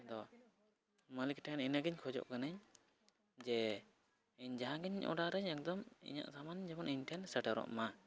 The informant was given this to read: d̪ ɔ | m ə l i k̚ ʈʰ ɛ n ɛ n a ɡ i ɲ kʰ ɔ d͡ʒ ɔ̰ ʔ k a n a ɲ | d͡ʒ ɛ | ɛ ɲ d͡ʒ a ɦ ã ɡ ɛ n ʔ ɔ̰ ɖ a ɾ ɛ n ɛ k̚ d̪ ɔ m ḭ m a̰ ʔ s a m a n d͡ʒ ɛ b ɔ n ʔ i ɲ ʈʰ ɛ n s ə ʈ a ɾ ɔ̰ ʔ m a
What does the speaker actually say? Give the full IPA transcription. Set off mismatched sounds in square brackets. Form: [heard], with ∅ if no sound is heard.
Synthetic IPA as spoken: d̪ ɔ | m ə l i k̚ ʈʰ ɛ n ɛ n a ɡ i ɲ kʰ ɔ d͡ʒ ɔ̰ ʔ k a n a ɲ | d͡ʒ ɛ | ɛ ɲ d͡ʒ a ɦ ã ɡ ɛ [ɲ] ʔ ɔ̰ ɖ a ɾ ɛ [ɲ] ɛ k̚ d̪ ɔ m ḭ [ɲ] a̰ ʔ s a m a n d͡ʒ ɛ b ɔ n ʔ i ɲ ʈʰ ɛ n s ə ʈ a ɾ ɔ̰ ʔ m a